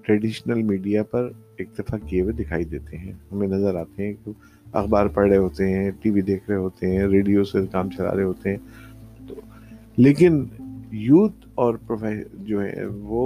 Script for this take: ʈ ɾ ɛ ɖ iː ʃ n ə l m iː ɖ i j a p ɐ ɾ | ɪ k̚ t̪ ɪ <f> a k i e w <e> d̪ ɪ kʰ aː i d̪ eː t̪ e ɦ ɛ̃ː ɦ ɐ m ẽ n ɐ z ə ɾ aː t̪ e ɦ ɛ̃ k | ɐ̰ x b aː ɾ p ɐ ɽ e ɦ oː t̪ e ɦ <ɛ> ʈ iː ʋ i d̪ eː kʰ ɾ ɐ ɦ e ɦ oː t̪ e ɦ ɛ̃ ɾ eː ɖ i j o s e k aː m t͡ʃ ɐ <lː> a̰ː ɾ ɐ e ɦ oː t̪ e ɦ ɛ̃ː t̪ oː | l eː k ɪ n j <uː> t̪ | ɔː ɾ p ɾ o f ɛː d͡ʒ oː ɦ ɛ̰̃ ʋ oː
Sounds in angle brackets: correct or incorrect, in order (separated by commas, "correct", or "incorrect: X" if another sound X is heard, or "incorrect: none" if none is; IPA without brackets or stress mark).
correct, correct, incorrect: ɛ̃, incorrect: l, correct